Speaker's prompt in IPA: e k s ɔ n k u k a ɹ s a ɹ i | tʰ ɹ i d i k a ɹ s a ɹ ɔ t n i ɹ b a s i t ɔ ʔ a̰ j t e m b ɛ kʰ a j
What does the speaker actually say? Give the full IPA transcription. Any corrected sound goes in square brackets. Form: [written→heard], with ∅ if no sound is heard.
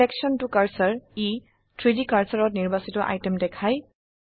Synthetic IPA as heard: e k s ɔ n [k→t] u k a ɹ s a ɹ i | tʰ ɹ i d i k a ɹ s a ɹ ɔ t n i ɹ b a s i t ɔ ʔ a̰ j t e m [b→d] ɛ kʰ a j

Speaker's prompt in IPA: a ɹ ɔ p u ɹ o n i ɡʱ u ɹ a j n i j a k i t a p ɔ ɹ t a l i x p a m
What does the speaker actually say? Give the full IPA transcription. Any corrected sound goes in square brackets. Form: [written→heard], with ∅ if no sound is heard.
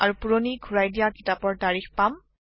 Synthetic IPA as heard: a ɹ [ɔ→u] p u ɹ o n i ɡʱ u ɹ a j [n→d] i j a k i t a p ɔ ɹ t a [l→ɹ] i x p a m

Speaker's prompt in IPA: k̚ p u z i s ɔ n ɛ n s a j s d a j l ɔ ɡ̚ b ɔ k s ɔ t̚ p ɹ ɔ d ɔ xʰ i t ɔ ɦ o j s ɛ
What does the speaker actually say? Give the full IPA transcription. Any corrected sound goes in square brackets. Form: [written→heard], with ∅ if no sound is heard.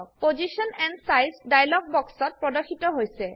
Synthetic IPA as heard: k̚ p [u→o] z i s ɔ n ɛ n s a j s d a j l ɔ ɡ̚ b ɔ k s ɔ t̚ p ɹ ɔ d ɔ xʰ i t ɔ ɦ o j s ɛ

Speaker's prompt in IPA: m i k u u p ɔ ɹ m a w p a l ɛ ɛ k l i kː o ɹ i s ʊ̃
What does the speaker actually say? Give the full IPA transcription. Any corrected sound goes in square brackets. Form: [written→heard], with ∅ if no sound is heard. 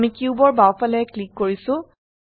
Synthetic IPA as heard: m i k u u [p→b] ɔ ɹ [m→b] a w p a l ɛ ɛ k l i kː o ɹ i s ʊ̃

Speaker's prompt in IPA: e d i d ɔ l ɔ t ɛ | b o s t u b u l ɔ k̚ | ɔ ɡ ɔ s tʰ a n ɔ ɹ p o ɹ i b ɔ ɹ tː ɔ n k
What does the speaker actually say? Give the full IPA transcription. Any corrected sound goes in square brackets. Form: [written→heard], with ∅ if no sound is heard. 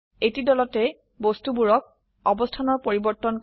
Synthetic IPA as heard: e [d→t] i d ɔ l ɔ t ɛ | b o s t u b u [l→ɹ] ɔ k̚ | ɔ [ɡ→b] ɔ s tʰ a n ɔ ɹ p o ɹ i b ɔ ɹ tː ɔ n k

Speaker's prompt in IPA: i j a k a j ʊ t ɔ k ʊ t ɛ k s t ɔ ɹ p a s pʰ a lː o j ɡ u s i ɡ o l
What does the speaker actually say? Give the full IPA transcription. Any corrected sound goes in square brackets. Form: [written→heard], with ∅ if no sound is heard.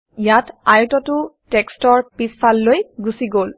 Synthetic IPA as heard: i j a [k→t] a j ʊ t ɔ [k→t] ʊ t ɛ k s t ɔ ɹ p [a→i] s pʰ a lː o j ɡ u s i ɡ o l

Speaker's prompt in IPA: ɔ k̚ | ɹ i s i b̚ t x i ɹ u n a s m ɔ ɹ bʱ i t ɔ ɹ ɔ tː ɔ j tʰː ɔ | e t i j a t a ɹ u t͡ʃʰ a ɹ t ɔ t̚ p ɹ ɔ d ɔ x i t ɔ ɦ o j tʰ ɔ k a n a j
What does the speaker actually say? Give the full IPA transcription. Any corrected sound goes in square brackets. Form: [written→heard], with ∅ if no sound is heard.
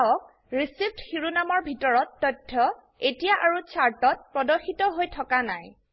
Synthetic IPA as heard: ɔ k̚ | ɹ i s i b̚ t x i ɹ u n a [s→∅] m ɔ ɹ bʱ i t ɔ ɹ ɔ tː ɔ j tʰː ɔ | e t i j a [t→ʔ] a ɹ u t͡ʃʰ a ɹ t ɔ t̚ p ɹ ɔ d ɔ x i t ɔ ɦ o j tʰ ɔ k a n a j

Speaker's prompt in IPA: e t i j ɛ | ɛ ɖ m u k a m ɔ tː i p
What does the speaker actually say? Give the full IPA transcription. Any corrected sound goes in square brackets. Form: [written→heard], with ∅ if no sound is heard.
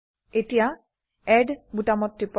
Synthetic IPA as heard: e t i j [ɛ→a] | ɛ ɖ [m→b] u [k→t] a m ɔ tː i p

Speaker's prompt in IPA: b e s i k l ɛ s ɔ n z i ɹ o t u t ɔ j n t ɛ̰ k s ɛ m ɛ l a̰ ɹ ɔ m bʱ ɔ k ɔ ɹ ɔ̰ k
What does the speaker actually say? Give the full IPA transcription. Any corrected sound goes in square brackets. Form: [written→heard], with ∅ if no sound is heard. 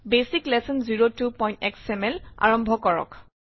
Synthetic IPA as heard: b e s i k l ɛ s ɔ n z i ɹ o t u [t→p] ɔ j n t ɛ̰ k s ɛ m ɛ l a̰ ɹ ɔ m bʱ ɔ k ɔ ɹ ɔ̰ k

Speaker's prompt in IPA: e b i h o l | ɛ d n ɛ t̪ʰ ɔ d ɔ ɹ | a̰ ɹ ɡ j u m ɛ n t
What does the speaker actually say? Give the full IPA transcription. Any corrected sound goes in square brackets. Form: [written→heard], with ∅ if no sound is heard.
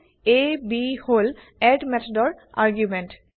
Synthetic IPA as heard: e b i h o l | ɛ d [n→m] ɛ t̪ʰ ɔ d ɔ ɹ | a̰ ɹ ɡ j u m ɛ n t

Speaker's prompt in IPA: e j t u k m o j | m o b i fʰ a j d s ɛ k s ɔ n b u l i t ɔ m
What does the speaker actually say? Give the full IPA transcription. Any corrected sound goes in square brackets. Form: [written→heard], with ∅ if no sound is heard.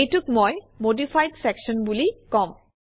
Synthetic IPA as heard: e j t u k m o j | m o [b→d] i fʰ a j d s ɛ k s ɔ n b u l i [t→k] ɔ m

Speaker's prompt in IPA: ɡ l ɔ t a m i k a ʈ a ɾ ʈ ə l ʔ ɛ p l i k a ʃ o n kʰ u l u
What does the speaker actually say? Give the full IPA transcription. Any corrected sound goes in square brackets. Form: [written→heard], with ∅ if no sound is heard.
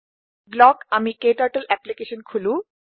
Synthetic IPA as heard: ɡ l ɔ [t→k] a m i k [a→e] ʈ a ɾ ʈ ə l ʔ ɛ p l i k [a→e] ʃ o n kʰ u l u

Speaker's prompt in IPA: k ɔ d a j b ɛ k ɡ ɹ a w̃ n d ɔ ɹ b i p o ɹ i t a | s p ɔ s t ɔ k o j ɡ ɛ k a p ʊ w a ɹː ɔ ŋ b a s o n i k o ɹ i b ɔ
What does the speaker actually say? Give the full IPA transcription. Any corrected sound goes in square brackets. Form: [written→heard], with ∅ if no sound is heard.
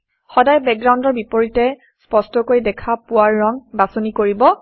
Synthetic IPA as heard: [k→x] ɔ d a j b ɛ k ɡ ɹ a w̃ n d ɔ ɹ b i p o ɹ i t [a→ɛ] | s p ɔ s t ɔ k o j [ɡ→d] ɛ [k→kʰ] a p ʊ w a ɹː ɔ ŋ b a s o n i k o ɹ i b ɔ

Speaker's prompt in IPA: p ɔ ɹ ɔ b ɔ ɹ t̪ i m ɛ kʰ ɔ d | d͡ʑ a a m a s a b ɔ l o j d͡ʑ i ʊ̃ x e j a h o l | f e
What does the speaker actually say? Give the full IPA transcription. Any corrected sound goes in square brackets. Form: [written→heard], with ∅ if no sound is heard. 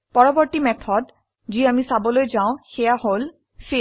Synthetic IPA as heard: p ɔ ɹ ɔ b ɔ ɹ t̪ i m ɛ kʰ ɔ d | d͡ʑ [a→i] a m [a→i] s a b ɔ l o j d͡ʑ [i→a] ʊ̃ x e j a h o l | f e

